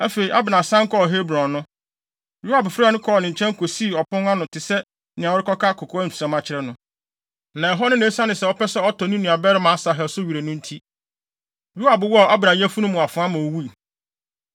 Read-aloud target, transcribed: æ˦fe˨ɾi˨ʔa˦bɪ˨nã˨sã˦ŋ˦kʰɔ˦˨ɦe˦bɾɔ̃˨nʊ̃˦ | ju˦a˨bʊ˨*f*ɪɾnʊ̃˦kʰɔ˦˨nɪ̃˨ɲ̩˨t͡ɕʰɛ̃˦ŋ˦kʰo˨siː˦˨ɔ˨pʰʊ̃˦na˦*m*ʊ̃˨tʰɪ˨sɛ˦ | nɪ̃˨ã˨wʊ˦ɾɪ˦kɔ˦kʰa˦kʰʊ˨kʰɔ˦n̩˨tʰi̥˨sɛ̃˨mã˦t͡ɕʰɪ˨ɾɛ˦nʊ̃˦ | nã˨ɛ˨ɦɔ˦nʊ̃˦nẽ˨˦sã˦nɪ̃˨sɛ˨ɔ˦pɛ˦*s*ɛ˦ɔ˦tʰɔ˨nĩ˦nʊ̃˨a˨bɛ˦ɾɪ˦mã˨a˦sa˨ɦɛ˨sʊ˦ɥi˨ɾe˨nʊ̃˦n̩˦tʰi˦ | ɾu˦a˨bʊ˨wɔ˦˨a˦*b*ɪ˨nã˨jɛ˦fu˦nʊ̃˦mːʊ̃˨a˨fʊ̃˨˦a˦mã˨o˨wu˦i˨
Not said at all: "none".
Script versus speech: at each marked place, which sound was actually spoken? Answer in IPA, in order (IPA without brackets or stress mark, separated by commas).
f, n, s, b